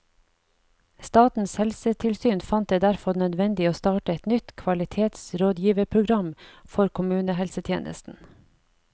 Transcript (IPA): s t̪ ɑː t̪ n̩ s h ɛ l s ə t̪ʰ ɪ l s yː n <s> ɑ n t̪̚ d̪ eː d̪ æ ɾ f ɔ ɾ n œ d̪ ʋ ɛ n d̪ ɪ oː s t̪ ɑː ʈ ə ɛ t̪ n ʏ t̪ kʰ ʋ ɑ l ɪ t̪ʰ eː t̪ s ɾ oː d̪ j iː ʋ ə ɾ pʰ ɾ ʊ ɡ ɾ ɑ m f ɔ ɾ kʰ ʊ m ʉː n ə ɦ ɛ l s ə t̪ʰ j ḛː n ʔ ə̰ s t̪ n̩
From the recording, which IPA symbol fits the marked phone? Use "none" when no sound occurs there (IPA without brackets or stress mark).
f